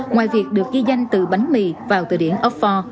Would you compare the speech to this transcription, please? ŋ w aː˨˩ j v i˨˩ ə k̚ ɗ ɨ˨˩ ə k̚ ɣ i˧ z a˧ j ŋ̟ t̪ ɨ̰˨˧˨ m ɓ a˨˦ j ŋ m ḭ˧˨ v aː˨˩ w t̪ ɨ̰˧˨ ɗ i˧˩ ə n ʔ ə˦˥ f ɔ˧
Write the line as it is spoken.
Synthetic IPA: ŋ w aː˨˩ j v i˨˩ ə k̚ ɗ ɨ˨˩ ə k̚ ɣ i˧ z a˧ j ŋ̟ t̪ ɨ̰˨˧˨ ɓ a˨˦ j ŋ m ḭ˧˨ v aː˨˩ w t̪ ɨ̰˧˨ ɗ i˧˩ ə n ʔ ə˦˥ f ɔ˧